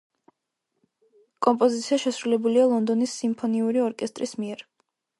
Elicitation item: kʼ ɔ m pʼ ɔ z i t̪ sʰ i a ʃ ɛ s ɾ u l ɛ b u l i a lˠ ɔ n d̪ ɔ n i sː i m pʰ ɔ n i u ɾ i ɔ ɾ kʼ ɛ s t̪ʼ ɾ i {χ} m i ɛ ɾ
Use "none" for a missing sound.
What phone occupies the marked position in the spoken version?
s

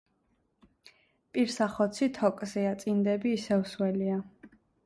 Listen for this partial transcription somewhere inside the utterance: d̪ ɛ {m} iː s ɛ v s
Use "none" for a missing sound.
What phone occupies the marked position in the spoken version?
b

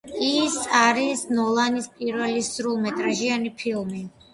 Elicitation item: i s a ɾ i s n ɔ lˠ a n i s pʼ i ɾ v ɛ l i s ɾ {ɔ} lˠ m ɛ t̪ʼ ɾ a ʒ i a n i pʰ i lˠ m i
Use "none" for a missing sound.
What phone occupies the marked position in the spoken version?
u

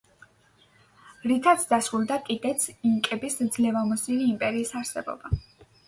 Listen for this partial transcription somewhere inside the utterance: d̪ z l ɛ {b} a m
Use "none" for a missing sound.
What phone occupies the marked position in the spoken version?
v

